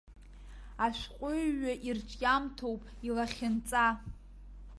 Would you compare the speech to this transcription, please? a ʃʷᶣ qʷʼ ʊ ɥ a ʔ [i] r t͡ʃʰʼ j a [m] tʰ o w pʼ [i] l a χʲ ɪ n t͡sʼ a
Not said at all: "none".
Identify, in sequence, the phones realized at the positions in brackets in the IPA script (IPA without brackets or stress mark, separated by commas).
i, m, i